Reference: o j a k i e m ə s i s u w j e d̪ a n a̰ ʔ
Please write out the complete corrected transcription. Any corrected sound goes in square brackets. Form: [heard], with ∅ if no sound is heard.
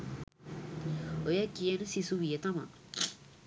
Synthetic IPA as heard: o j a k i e [n] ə s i s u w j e [t̪] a [m] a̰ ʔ

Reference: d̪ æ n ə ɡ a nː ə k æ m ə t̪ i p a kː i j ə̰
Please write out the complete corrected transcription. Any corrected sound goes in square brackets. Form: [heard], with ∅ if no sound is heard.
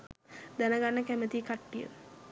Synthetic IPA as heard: d̪ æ n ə ɡ a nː ə k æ m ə t̪ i [k] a [ʈː] i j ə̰

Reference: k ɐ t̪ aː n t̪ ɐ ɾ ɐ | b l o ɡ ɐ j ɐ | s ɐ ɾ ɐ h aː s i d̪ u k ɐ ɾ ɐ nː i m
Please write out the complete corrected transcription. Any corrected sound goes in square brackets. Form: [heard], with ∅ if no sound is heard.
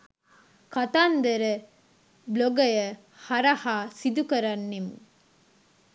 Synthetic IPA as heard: k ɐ t̪ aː n [d̪] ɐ ɾ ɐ | b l o ɡ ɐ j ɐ | [h] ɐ ɾ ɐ h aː s i d̪ u k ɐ ɾ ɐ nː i m

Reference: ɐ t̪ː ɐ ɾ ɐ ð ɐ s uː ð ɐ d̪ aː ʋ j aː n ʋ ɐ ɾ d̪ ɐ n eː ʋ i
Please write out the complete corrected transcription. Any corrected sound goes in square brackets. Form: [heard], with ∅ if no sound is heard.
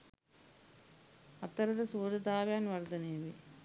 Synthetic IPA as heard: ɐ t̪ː ɐ ɾ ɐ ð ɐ s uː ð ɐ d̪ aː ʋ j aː n ʋ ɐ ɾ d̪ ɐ n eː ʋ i

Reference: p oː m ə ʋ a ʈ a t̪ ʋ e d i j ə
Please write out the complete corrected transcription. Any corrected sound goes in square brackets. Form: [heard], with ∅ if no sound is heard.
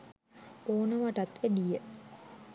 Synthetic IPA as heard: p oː [n] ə ʋ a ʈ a t̪ ʋ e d i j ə

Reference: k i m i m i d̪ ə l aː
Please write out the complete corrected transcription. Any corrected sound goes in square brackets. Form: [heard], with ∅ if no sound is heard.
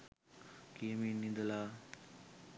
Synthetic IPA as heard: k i m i [n] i d̪ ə l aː

